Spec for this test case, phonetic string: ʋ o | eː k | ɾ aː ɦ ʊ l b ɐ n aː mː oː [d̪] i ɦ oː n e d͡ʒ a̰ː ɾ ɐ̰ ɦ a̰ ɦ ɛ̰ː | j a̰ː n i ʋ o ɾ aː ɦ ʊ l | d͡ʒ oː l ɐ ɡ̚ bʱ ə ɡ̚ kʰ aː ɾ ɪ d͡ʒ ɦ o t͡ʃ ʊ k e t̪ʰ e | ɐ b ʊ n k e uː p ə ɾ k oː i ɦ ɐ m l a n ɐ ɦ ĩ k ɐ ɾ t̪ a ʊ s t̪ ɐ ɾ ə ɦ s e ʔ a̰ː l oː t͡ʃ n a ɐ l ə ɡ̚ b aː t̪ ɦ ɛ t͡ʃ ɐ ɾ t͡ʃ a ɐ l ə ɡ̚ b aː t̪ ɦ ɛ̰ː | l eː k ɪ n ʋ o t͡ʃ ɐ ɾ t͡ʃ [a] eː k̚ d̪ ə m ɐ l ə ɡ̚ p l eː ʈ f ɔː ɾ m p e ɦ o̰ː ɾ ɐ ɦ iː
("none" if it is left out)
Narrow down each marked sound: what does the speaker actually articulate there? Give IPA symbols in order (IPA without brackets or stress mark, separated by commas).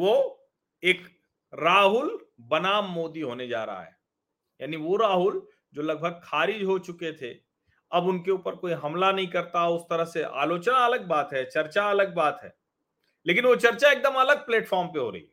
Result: d̪, a